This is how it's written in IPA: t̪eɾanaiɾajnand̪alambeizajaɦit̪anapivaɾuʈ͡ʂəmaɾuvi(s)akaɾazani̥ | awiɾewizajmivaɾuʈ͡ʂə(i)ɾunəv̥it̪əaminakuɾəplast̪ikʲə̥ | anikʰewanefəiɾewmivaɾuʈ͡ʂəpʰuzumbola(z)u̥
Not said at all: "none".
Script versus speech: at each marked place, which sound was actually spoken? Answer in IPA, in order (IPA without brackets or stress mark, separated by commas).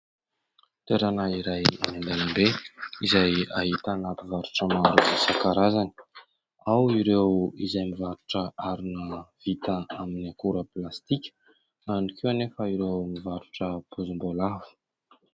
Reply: s, a, v